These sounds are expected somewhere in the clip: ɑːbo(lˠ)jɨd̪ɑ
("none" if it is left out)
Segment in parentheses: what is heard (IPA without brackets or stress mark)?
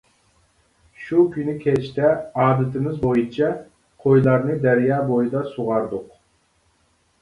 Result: none